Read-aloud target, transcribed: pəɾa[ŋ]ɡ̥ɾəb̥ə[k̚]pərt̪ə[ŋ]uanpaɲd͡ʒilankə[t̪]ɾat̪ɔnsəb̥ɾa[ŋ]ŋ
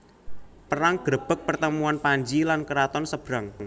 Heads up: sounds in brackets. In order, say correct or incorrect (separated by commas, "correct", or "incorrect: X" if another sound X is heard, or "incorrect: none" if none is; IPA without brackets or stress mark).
correct, correct, incorrect: m, incorrect: none, correct